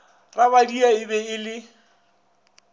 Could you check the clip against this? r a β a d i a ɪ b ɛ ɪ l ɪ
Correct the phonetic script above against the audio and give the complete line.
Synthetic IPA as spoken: r a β a d i a ɪ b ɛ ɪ l ɪ